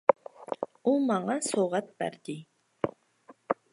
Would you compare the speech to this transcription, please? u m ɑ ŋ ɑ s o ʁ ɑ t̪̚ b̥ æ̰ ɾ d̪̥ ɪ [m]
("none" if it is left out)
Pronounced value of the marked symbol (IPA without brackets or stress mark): none